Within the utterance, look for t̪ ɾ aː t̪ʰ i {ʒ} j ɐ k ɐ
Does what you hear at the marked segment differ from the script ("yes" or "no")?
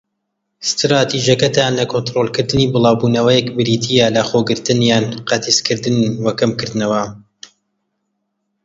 no